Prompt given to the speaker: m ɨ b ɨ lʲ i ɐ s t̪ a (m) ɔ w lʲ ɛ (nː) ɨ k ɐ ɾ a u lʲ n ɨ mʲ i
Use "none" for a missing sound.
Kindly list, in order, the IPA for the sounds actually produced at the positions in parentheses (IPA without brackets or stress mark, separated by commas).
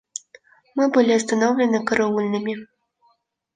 n, n